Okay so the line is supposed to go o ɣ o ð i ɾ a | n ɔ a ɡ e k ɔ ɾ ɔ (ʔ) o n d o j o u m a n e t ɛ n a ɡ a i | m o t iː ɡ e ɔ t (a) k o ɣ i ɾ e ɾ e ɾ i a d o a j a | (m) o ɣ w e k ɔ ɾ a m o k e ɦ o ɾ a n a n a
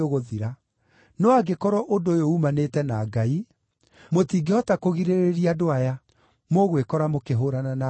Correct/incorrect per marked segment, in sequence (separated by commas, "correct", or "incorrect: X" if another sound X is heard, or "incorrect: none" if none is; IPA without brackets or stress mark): correct, correct, correct